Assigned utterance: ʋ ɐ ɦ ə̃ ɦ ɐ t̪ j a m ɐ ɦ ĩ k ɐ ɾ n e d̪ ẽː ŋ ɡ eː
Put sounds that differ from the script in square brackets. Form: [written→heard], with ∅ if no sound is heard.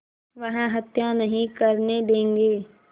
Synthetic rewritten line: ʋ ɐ ɦ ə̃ ɦ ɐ t̪ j a [m→n] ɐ ɦ ĩ k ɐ ɾ n e d̪ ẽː ŋ ɡ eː